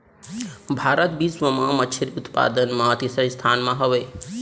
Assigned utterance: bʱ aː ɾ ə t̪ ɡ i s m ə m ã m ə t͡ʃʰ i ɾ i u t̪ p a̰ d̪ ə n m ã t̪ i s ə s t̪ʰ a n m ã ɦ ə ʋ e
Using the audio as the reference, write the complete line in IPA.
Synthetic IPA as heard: bʱ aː ɾ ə t̪ b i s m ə m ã m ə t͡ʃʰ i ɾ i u t̪ p a̰ d̪ ə n m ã t̪ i s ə s t̪ʰ a n m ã ɦ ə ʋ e